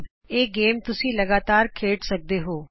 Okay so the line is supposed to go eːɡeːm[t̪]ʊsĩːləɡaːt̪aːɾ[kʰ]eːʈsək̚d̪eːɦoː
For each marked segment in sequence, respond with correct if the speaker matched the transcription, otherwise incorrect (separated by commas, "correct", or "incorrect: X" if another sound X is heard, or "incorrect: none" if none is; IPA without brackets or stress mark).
correct, correct